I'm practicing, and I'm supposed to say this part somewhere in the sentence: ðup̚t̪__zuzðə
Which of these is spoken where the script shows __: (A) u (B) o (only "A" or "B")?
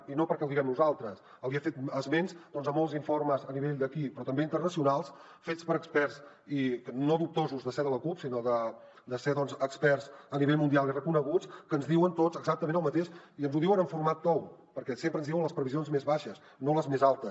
B